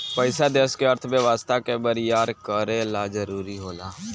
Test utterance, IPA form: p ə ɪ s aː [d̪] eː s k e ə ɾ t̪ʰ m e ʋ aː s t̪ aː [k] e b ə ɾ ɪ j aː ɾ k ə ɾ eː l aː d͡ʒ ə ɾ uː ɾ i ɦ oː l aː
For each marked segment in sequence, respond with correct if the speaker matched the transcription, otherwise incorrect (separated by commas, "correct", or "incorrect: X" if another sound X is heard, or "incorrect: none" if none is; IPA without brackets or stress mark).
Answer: correct, correct